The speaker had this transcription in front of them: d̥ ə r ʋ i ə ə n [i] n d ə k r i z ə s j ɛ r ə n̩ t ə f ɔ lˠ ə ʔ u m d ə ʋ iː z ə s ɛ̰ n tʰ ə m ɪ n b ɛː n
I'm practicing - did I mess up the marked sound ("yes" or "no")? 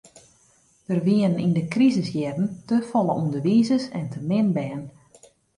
no